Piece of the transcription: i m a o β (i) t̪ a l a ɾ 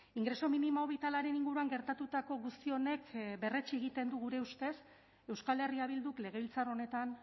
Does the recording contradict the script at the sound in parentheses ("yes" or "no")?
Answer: no